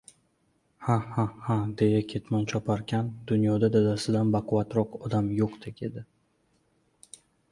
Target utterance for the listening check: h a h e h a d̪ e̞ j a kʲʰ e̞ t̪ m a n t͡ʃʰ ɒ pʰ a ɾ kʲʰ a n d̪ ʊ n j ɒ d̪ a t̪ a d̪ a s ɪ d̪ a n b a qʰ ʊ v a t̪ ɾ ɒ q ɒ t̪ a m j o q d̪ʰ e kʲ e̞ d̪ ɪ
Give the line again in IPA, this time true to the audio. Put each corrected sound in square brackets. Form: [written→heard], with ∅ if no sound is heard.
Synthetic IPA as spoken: h a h [e→a] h a d̪ e̞ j a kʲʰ e̞ t̪ m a n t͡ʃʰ ɒ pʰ a ɾ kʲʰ a n d̪ ʊ n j ɒ d̪ a [t̪→d̪] a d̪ a s ɪ d̪ a n b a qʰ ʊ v a t̪ ɾ ɒ q ɒ [t̪→d̪] a m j o q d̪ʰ e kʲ e̞ d̪ ɪ

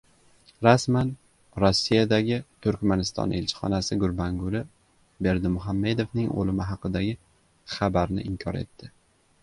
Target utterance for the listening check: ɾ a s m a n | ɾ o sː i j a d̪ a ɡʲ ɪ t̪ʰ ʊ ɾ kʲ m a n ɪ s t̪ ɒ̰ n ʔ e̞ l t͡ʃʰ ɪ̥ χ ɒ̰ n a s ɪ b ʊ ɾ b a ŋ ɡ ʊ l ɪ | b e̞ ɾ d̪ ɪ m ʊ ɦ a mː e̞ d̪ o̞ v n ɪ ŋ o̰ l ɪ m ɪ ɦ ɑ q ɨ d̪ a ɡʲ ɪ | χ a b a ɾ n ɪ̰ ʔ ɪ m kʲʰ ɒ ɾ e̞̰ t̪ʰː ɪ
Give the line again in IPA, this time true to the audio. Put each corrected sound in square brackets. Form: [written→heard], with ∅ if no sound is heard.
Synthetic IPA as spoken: ɾ a s m a n | ɾ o sː i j a d̪ a ɡʲ ɪ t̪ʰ ʊ ɾ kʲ m a n ɪ s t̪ ɒ̰ n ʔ e̞ l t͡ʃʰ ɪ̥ χ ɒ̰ n a s ɪ [b→ɡ] ʊ ɾ b a ŋ ɡ ʊ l ɪ | b e̞ ɾ d̪ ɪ m ʊ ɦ a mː e̞ d̪ o̞ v n ɪ ŋ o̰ l ɪ m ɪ ɦ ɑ q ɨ d̪ a ɡʲ ɪ | χ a b a ɾ n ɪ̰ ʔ ɪ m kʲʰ ɒ ɾ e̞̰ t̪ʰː ɪ

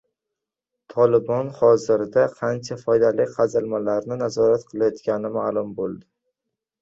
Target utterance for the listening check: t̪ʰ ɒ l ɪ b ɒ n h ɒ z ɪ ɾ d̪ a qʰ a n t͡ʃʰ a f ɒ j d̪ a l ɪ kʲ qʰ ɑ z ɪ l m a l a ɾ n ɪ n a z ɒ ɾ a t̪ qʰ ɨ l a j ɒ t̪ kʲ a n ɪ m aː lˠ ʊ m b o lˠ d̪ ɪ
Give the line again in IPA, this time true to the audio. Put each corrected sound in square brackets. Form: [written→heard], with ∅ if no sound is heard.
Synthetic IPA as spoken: t̪ʰ ɒ l ɪ b ɒ n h ɒ z ɪ ɾ d̪ a qʰ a n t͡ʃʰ a f ɒ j d̪ a l ɪ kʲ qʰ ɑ z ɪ l m a l a ɾ n ɪ n a z ɒ ɾ a t̪ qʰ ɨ l a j ɒ t̪ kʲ a n ɪ m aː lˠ ʊ m b o lˠ d̪ ɪ

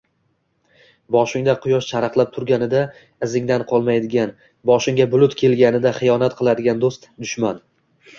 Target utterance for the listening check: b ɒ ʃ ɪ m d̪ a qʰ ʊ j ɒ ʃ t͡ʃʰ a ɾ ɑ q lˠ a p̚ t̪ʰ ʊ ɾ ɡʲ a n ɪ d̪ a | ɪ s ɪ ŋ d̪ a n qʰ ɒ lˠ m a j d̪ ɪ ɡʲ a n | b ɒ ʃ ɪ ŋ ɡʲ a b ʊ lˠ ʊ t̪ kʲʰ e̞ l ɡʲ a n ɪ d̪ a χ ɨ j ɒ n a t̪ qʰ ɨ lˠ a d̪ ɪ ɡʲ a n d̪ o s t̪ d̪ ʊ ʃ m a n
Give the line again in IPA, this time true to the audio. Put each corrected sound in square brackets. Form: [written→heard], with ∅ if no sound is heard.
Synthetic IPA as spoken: b ɒ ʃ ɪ [m→ŋ] d̪ a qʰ ʊ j ɒ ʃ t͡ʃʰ a ɾ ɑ q lˠ a p̚ t̪ʰ ʊ ɾ ɡʲ a n ɪ d̪ a | ɪ [s→z] ɪ ŋ d̪ a n qʰ ɒ lˠ m a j d̪ ɪ ɡʲ a n | b ɒ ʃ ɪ ŋ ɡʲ a b ʊ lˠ ʊ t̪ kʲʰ e̞ l ɡʲ a n ɪ d̪ a χ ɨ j ɒ n a t̪ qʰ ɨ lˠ a d̪ ɪ ɡʲ a n d̪ o s t̪ d̪ ʊ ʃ m a n

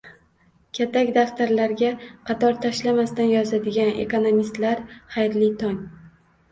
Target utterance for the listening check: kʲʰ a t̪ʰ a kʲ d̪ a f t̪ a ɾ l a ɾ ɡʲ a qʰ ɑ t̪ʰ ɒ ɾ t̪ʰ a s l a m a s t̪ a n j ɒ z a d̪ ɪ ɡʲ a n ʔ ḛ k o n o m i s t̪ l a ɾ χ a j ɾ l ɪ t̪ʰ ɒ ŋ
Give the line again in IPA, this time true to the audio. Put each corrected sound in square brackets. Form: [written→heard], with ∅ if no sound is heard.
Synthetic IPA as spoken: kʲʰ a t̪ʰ a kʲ d̪ a f t̪ a ɾ l a ɾ ɡʲ a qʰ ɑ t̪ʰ ɒ ɾ t̪ʰ a [s→ʃ] l a m a s t̪ a n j ɒ z a d̪ ɪ ɡʲ a n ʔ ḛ k o n o m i s t̪ l a ɾ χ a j ɾ l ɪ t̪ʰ ɒ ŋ

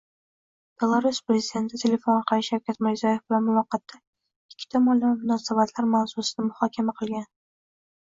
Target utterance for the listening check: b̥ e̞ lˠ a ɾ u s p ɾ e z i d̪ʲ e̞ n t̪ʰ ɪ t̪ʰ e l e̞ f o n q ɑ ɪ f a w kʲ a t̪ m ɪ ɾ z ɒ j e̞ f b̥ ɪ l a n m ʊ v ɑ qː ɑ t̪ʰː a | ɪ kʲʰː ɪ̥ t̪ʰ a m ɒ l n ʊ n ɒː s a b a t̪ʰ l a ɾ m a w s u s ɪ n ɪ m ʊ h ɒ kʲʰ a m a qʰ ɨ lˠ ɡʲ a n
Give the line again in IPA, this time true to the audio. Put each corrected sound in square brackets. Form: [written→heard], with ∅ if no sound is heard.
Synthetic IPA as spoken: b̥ e̞ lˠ a ɾ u s p ɾ e z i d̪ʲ e̞ n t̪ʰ ɪ t̪ʰ e l e̞ f o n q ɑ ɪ [f→ʃ] a w kʲ a t̪ m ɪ ɾ z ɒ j e̞ f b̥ ɪ l a n m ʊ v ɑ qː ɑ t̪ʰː a | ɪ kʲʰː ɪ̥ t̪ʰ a m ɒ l [n→m] ʊ n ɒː s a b a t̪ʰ l a ɾ m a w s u s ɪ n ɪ m ʊ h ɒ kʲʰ a m a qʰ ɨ lˠ ɡʲ a n

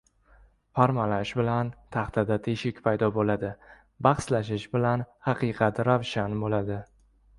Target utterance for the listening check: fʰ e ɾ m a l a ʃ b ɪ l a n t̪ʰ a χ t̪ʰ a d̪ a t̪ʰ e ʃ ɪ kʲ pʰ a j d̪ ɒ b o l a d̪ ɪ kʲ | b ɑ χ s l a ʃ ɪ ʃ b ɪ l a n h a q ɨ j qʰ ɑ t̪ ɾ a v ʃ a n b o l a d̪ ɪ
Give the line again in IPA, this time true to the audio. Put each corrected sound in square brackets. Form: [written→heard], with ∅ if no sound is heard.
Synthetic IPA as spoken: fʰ [e→a] ɾ m a l a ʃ b ɪ l a n t̪ʰ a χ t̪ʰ a d̪ a t̪ʰ e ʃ ɪ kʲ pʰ a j d̪ ɒ b o l a d̪ ɪ [kʲ→∅] | b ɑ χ s l a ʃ ɪ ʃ b ɪ l a n h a q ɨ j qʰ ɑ t̪ ɾ a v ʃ a n b o l a d̪ ɪ

